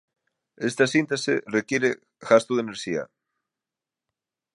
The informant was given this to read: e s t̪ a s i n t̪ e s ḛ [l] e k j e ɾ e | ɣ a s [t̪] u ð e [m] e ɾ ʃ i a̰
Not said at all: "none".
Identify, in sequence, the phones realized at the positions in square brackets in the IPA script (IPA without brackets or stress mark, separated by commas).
r, t̪, n